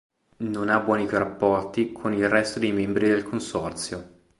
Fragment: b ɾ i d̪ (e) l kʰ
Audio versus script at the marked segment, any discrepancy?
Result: no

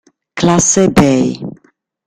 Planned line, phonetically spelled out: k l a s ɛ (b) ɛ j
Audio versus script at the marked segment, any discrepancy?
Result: no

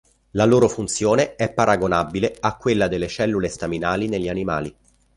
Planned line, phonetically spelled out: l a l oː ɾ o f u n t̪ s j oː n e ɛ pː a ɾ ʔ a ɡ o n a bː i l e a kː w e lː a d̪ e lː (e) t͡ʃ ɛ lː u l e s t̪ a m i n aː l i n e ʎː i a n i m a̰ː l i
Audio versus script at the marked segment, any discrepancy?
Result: no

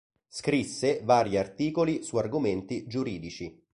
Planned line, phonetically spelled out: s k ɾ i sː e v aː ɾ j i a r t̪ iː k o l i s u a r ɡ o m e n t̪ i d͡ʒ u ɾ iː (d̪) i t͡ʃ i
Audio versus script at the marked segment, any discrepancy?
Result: no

